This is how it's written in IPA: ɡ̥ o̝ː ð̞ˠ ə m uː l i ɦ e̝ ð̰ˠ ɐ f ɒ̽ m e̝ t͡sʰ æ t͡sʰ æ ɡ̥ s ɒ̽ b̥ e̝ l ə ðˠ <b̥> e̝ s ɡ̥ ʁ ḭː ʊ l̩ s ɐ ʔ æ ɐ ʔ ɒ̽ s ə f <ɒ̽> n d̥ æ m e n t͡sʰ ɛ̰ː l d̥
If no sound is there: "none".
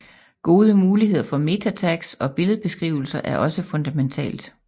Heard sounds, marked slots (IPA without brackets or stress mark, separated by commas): b̥, ɔ̽